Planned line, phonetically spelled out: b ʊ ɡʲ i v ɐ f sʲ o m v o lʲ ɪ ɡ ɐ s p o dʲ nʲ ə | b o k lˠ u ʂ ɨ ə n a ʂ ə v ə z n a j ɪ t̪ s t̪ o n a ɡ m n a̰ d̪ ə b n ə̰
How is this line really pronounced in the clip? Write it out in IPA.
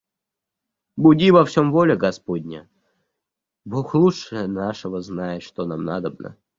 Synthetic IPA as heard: b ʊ dʲ i v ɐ f sʲ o m v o lʲ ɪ ɡ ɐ s p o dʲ nʲ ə | b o x lˠ u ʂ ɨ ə n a ʂ ə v ə z n a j ɪ t̪ ʂ t̪ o n a m n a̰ d̪ ə b n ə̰